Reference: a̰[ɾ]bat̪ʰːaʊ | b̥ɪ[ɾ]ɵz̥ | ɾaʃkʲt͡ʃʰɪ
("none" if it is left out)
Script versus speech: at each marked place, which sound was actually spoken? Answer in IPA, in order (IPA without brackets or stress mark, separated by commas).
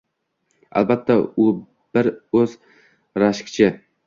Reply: l, ɾ